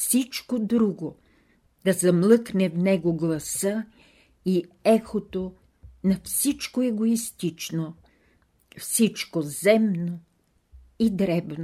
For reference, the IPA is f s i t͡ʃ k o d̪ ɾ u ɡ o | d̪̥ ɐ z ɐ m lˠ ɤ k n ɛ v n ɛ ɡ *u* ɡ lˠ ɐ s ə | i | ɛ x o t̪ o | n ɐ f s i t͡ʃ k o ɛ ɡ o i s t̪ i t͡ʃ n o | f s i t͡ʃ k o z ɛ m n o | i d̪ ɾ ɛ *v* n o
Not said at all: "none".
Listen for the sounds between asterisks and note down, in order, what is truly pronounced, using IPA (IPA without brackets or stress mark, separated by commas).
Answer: o, b